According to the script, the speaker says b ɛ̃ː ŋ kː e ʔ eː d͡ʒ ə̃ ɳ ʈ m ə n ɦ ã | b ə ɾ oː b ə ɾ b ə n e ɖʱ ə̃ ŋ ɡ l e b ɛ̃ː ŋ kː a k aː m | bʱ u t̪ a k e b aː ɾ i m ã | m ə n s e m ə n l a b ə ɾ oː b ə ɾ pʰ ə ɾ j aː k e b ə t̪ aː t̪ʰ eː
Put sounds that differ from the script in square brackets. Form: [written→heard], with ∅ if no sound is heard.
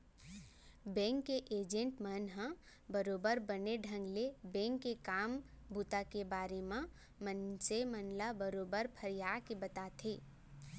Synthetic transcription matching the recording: b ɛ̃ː ŋ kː e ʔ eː d͡ʒ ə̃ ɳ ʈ m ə n ɦ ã | b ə ɾ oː b ə ɾ b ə n e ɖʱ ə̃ ŋ ɡ l e b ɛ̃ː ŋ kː [a→e] k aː m | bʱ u t̪ a k e b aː ɾ [i→e] m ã | m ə n s e m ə n l a b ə ɾ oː b ə ɾ pʰ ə ɾ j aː k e b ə t̪ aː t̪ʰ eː

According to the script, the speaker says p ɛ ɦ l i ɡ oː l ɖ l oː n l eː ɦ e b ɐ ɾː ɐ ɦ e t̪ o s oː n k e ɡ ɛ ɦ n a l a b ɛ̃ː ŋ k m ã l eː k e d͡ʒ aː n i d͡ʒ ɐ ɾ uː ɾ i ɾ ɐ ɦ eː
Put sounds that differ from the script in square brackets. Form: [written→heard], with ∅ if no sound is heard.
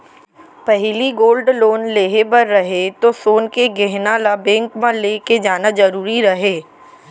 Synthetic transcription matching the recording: p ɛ ɦ l i ɡ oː l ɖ l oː n l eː ɦ e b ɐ ɾː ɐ ɦ e t̪ o s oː n k e ɡ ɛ ɦ n a l a b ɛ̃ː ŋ k m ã l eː k e d͡ʒ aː n [i→a] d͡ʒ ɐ ɾ uː ɾ i ɾ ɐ ɦ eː

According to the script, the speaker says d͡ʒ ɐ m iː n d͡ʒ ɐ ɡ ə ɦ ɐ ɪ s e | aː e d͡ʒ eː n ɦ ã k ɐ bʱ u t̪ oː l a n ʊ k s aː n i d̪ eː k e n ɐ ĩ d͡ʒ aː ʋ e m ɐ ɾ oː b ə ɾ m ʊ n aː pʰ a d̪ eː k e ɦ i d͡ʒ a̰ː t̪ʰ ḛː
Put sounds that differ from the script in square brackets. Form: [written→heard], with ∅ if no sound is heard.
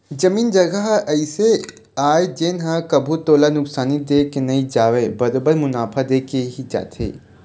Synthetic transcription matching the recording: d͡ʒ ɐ m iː n d͡ʒ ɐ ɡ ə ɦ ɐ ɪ s e | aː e d͡ʒ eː n ɦ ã k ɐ bʱ u t̪ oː l a n ʊ k s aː n i d̪ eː k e n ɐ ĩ d͡ʒ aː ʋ e [m→b] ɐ ɾ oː b ə ɾ m ʊ n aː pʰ a d̪ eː k e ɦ i d͡ʒ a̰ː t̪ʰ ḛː

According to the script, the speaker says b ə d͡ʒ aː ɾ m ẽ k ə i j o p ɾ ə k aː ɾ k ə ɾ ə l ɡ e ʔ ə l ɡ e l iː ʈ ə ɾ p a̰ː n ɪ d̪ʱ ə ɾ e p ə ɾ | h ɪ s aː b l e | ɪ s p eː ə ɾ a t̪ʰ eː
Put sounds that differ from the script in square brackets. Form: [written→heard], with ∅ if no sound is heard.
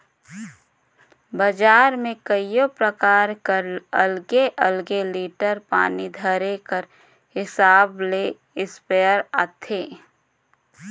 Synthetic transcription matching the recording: b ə d͡ʒ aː ɾ m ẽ k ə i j o p ɾ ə k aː ɾ k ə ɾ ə l ɡ e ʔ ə l ɡ e l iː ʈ ə ɾ p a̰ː n [ɪ→i] d̪ʱ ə ɾ e [p→k] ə ɾ | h ɪ s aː b l e | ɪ s p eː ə ɾ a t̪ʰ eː

